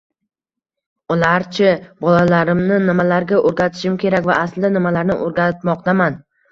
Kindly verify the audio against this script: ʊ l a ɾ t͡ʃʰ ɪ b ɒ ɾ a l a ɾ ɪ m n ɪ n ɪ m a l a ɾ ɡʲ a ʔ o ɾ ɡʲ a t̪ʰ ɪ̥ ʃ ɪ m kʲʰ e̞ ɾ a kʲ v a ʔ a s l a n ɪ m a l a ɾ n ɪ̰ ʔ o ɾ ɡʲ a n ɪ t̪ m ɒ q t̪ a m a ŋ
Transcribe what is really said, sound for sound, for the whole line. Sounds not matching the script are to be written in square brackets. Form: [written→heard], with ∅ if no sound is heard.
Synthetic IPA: ʊ l a ɾ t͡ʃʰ ɪ b ɒ [ɾ→l] a l a ɾ ɪ m n ɪ n ɪ m a l a ɾ ɡʲ a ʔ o ɾ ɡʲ a t̪ʰ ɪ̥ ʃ ɪ m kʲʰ e̞ ɾ a kʲ v a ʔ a s l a n ɪ m a l a ɾ n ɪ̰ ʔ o ɾ ɡʲ a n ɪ t̪ m ɒ q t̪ a m a [ŋ→n]